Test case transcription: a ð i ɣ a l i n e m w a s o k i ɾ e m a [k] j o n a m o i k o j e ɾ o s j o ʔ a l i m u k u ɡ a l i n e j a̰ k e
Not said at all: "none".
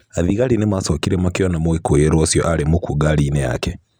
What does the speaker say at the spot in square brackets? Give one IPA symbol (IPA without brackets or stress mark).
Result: k